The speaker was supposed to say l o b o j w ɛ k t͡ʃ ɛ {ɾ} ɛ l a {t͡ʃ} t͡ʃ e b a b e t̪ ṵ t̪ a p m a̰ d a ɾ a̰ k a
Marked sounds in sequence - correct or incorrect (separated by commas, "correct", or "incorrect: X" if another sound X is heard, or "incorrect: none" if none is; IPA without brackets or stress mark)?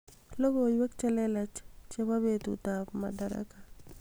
incorrect: l, correct